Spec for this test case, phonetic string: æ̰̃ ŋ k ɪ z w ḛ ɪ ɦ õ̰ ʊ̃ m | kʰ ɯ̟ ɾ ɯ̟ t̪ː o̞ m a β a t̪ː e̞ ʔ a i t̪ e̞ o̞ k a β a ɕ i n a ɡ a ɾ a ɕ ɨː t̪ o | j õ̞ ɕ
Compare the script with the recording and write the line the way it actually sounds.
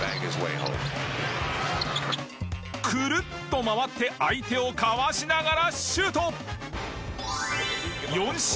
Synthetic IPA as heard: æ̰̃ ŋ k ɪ z w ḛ ɪ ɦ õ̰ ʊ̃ m | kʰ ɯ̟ ɾ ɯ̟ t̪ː o̞ m a β a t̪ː e̞ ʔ a i t̪ e̞ o̞ k a β a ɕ i n a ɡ a ɾ a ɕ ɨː t̪ o | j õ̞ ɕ